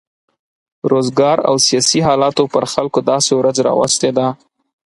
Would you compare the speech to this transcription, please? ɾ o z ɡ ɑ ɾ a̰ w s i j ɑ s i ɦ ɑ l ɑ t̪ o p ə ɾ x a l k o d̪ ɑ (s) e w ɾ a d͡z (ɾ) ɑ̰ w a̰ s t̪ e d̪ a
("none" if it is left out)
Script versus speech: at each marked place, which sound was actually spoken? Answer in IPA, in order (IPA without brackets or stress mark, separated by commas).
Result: s, ɾ